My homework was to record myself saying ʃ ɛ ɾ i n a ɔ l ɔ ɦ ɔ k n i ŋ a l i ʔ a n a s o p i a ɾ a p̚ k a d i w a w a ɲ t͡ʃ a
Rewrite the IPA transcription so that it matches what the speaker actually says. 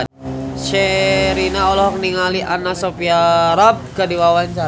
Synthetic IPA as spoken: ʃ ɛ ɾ i n a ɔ l ɔ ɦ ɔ k n i ŋ a l i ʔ a n a s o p i a ɾ a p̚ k a d i w a w a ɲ t͡ʃ a